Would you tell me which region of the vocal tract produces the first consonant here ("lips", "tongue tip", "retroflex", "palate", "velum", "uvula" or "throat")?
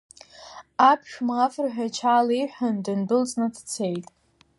lips